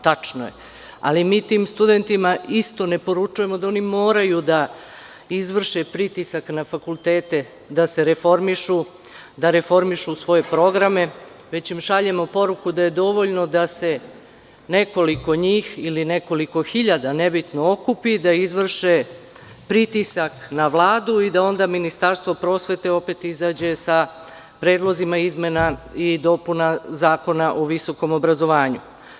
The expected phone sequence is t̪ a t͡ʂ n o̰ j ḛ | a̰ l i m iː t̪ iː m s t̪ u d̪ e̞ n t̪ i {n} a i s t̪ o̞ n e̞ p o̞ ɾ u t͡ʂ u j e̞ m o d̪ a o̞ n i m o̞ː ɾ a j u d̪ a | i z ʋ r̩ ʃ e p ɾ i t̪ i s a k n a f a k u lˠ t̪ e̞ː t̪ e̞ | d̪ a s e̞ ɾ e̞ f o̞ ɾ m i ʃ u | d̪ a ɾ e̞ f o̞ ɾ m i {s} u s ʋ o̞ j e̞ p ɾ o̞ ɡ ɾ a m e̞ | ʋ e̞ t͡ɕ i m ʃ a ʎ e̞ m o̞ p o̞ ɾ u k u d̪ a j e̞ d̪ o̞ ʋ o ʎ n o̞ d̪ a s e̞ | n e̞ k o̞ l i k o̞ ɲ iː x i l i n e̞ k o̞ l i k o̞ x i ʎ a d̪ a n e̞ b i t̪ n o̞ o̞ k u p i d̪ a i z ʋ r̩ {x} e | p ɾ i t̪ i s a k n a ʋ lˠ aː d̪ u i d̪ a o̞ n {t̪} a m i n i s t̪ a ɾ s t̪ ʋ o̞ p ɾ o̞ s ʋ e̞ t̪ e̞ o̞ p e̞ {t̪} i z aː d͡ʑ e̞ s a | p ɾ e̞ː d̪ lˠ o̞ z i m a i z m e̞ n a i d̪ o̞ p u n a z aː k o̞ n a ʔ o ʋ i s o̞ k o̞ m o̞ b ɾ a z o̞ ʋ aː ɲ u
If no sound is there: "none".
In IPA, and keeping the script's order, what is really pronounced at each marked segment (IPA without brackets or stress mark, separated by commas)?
m, ʃ, ʃ, d̪, t̪